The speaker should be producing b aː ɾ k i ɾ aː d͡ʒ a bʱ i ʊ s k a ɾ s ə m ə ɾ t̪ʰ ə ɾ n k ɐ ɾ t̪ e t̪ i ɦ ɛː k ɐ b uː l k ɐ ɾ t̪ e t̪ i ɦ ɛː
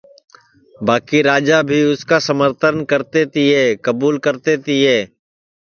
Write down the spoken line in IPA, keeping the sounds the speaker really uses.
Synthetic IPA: b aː k i ɾ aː d͡ʒ a bʱ i ʊ s k a s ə m ə ɾ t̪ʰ ə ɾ n k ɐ ɾ t̪ e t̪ i ɦ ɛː k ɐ b uː l k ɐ ɾ t̪ e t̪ i ɦ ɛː